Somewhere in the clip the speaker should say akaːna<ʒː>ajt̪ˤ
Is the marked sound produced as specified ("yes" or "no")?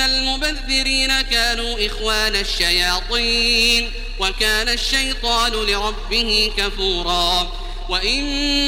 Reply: no